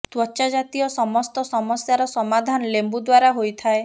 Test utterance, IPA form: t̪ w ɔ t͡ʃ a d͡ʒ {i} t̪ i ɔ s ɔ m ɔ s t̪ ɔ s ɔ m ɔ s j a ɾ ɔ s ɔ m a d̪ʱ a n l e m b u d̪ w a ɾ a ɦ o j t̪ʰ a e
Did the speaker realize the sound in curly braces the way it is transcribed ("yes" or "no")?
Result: no